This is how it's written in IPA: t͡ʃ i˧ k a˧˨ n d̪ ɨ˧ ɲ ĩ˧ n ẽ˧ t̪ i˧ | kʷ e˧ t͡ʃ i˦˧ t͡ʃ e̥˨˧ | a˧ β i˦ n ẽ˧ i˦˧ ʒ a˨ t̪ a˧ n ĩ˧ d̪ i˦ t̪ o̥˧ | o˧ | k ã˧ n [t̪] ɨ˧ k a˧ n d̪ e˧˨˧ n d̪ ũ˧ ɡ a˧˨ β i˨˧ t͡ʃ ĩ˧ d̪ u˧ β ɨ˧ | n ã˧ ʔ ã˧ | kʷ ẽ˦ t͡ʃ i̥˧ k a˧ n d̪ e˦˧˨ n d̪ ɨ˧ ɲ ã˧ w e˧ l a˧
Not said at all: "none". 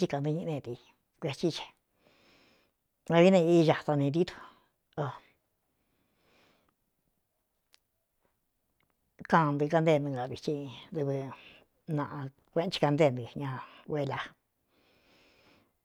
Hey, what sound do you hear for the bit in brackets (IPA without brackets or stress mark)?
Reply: d̪